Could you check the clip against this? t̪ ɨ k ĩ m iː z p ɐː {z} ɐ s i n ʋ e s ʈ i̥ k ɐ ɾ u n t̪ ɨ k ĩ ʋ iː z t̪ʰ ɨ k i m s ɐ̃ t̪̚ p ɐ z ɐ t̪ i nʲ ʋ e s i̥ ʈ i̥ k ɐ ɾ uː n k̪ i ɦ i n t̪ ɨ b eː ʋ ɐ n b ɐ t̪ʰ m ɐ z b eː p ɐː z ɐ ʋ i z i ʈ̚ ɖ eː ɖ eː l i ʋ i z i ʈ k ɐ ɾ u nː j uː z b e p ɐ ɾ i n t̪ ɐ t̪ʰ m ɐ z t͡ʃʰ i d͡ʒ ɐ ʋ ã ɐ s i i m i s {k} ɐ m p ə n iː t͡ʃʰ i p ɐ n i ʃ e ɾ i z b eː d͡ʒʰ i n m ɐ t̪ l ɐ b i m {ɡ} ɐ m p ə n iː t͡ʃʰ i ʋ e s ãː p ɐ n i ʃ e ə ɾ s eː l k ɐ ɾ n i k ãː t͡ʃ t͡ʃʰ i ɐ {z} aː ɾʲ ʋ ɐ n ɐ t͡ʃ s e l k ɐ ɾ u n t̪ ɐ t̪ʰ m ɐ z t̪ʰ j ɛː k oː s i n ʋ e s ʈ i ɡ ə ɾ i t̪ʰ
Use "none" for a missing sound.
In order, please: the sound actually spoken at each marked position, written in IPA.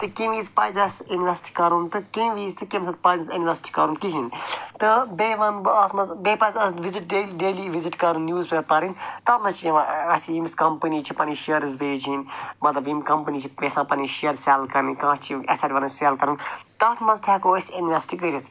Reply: z, k, k, s

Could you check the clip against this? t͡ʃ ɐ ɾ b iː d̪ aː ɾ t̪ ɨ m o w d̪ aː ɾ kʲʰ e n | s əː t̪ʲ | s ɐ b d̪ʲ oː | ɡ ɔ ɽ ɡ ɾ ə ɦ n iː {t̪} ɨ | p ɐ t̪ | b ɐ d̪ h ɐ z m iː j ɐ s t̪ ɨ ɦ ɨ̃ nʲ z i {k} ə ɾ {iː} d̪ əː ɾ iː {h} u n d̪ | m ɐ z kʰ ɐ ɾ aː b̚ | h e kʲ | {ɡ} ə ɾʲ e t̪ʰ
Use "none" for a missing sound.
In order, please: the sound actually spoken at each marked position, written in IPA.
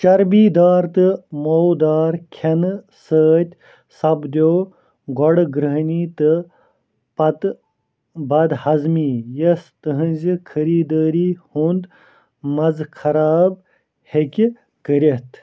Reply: t̪, kʰ, iː, h, k

